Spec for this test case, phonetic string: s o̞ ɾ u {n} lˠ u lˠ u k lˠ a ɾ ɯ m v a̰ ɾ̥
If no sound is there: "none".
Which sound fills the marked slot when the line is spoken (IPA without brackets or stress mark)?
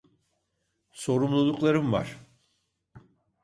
m